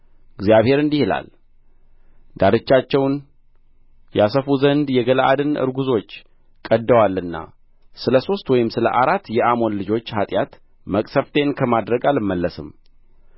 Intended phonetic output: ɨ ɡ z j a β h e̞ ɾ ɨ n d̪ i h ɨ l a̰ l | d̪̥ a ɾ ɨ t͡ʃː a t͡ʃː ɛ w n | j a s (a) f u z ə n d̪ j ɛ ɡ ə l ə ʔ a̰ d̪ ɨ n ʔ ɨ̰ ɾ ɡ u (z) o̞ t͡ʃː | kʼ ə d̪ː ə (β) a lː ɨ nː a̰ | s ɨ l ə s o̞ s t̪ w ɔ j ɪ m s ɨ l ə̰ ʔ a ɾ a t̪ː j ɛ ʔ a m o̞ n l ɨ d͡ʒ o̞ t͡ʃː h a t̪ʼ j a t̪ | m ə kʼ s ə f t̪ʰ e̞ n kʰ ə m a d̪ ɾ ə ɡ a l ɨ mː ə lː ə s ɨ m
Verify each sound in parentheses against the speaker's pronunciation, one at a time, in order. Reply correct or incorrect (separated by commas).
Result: incorrect, correct, incorrect